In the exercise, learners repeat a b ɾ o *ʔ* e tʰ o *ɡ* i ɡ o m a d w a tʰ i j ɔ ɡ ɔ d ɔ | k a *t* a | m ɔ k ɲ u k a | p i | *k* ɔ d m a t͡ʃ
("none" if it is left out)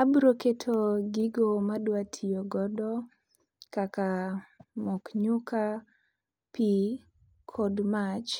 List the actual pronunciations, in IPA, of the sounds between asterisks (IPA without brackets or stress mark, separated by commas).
k, ɡ, k, kʰ